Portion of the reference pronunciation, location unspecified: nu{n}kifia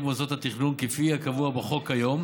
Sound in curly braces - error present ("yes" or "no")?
no